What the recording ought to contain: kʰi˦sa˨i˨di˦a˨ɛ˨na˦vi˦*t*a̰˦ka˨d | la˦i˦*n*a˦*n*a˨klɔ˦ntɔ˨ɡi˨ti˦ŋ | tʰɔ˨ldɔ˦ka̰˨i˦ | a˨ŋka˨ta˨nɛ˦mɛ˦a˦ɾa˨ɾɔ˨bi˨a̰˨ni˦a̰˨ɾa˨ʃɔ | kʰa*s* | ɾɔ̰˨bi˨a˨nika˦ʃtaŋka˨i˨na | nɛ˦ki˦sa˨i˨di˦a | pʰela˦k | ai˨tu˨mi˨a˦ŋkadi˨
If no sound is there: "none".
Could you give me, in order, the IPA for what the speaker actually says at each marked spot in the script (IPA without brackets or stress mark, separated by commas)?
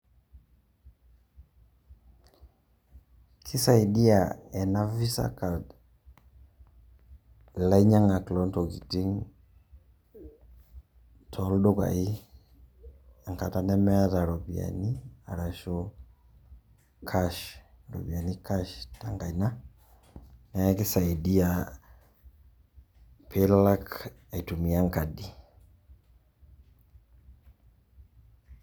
s, ɲ, ŋ, ʃ